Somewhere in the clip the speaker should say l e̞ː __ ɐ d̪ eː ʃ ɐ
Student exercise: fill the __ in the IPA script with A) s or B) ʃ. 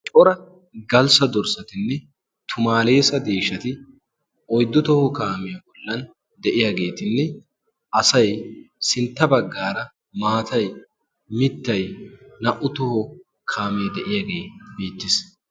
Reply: A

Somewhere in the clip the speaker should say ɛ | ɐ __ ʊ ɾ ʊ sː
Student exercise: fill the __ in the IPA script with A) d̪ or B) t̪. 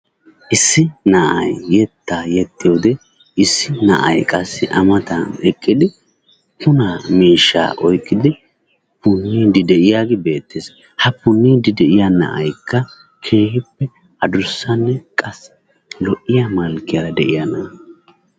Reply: A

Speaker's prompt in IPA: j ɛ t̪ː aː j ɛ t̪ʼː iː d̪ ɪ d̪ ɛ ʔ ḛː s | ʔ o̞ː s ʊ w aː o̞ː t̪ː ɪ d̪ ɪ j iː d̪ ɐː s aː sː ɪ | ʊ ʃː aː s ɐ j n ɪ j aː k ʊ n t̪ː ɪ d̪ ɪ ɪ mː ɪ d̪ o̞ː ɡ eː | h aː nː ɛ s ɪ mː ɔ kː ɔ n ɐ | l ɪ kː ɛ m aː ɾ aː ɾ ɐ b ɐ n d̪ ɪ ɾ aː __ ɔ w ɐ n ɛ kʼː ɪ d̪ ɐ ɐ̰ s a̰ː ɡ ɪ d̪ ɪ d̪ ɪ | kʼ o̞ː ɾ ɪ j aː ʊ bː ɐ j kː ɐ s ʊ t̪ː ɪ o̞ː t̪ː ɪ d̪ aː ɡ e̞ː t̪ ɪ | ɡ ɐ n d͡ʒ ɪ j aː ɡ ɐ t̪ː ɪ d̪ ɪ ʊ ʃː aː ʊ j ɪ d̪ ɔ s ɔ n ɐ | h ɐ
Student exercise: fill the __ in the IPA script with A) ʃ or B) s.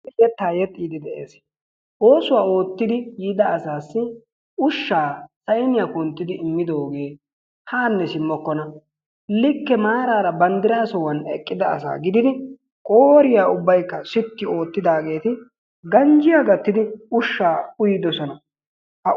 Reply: B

